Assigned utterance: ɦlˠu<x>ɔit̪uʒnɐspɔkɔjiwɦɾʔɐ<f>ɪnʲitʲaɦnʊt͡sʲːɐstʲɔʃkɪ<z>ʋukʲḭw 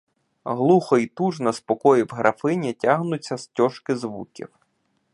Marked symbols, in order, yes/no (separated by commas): yes, yes, yes